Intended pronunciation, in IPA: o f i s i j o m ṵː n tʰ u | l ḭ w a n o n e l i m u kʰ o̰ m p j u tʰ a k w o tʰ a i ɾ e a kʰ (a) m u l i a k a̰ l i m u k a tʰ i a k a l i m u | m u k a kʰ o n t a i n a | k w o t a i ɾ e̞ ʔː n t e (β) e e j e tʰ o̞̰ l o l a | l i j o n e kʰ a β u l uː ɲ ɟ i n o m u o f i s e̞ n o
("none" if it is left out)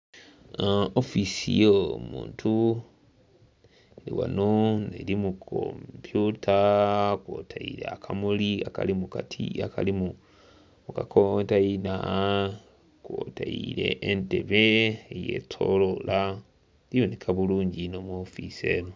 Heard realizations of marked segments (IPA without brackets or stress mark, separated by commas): a, β